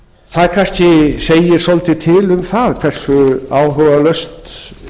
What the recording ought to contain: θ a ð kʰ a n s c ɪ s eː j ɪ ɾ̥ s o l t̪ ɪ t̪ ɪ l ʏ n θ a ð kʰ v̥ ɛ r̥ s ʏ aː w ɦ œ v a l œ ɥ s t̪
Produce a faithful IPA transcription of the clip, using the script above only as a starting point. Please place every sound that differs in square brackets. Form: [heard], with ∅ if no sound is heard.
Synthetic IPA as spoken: θ a ð kʰ a n s c ɪ s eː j ɪ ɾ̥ s o l t̪ ɪ [t̪ʰ] ɪ l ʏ [m] θ a ð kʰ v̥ ɛ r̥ s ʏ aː w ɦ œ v a l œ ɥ s t̪